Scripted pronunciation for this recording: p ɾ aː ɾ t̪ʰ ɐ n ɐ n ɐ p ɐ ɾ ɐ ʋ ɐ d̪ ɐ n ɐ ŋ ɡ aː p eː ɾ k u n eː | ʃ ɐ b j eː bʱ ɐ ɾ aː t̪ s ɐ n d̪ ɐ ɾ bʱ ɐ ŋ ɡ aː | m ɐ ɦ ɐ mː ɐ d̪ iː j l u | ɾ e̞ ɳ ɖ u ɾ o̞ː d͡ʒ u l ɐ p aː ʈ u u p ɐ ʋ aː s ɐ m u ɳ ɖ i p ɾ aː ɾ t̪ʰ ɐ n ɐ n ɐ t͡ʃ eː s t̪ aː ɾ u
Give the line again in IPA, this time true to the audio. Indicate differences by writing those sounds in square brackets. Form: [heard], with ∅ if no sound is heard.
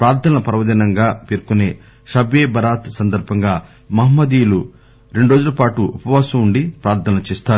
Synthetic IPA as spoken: p ɾ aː ɾ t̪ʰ ɐ n ɐ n ɐ p ɐ ɾ ɐ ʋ ɐ d̪ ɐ n ɐ ŋ ɡ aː p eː ɾ k u n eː | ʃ ɐ b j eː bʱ ɐ ɾ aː t̪ s ɐ n d̪ ɐ ɾ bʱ ɐ ŋ ɡ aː | m ɐ ɦ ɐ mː ɐ d̪ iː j l u | ɾ e̞ ɳ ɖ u ɾ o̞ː d͡ʒ u l ɐ p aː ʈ u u p ɐ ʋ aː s ɐ m u ɳ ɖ i p ɾ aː ɾ t̪ʰ ɐ n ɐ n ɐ t͡ʃ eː s t̪ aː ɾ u